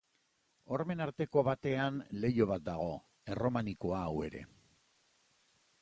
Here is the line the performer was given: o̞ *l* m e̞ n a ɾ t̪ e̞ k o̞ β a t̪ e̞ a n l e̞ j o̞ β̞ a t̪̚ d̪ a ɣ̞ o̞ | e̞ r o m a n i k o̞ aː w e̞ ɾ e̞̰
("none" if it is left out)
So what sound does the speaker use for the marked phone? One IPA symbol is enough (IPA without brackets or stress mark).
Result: ɾ